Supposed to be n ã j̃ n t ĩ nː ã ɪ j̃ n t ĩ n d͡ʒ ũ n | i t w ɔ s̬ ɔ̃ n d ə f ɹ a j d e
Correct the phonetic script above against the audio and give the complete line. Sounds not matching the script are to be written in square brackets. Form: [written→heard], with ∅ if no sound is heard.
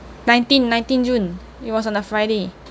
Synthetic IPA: n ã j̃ n t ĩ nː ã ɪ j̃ n t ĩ n d͡ʒ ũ n | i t w ɔ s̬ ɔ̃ n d ə f ɹ a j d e